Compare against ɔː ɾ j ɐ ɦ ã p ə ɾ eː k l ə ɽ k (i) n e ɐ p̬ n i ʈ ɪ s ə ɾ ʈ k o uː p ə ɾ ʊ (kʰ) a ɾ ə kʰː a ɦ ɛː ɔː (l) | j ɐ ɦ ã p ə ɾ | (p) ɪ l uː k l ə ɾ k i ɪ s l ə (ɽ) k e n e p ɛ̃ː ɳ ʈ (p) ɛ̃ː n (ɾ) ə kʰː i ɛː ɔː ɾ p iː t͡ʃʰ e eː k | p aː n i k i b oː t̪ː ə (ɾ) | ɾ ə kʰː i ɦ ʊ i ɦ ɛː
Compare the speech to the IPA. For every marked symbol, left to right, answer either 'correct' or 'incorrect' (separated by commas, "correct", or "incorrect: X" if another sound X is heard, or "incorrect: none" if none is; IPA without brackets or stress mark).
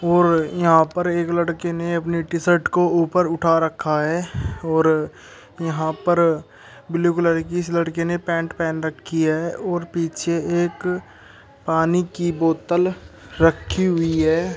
incorrect: e, incorrect: ʈʰ, incorrect: ɾ, incorrect: b, correct, correct, correct, incorrect: l